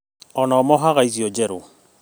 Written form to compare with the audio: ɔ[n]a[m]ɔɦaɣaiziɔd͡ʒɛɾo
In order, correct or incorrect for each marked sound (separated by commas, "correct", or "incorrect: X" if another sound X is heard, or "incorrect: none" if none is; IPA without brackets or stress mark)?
correct, correct